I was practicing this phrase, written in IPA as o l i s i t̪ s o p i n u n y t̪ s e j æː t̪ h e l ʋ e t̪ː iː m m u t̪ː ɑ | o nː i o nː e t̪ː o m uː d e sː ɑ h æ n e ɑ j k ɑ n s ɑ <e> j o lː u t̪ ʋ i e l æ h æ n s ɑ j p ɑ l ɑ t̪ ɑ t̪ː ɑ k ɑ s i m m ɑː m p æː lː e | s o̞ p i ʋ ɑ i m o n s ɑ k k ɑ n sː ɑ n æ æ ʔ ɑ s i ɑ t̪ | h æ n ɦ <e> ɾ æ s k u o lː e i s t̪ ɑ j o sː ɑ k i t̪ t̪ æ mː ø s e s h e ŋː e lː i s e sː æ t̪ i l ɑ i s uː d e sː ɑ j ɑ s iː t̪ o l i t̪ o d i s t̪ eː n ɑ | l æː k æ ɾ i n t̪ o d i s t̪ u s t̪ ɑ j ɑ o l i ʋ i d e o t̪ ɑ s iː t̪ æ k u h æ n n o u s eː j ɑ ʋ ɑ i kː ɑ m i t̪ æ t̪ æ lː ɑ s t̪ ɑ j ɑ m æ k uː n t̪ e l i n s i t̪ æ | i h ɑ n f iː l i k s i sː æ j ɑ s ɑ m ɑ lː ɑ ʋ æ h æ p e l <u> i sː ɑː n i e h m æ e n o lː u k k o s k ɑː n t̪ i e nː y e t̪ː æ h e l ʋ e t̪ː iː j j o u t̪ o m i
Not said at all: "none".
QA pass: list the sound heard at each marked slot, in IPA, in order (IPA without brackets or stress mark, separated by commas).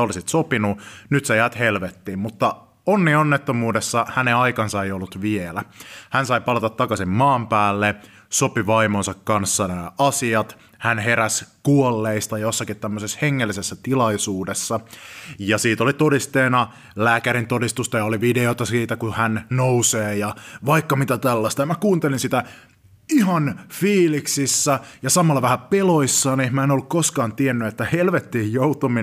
e, e, o